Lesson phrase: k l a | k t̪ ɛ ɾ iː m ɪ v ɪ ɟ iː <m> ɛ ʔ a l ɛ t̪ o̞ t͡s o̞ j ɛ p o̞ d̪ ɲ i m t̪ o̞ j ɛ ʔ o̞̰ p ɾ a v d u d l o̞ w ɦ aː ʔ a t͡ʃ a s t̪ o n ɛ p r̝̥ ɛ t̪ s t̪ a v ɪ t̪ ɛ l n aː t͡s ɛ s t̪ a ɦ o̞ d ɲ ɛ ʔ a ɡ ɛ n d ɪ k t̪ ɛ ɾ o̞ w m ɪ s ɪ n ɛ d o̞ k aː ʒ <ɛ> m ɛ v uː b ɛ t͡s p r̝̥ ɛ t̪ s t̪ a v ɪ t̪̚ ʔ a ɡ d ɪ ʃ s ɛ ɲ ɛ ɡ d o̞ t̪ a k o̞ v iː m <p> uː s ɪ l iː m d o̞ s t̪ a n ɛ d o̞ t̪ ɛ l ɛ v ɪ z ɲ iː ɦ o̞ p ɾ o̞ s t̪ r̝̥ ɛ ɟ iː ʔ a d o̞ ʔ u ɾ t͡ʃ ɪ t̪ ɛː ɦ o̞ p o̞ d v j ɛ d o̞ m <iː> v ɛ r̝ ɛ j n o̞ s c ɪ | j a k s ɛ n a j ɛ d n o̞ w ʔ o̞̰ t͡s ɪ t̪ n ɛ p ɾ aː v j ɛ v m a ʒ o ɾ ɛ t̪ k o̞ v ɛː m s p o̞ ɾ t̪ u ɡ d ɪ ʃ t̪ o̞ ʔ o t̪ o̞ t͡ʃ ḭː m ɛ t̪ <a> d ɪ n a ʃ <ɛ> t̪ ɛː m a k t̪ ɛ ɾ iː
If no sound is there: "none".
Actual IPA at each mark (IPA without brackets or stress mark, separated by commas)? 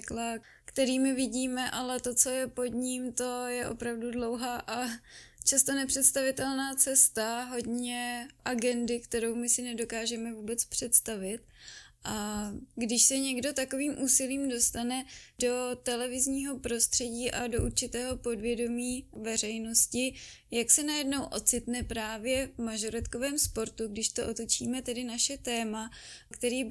m, ɛ, ʔ, iː, ɛ, ɛ